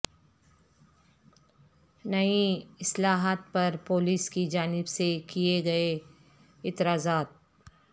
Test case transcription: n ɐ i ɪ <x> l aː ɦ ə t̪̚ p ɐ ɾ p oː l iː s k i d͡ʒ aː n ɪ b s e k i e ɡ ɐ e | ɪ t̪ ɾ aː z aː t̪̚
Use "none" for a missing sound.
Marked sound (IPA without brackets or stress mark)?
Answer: s